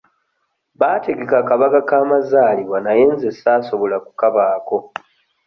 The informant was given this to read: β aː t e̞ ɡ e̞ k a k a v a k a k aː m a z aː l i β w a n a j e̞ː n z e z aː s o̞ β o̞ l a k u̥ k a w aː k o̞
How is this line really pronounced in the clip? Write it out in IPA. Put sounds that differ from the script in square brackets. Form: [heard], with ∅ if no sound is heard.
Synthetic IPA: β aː t e̞ ɡ e̞ k a k a [β] a k a k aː m a z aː l i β w a n a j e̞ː n z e [s] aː s o̞ β o̞ l a k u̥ k a [β] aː k o̞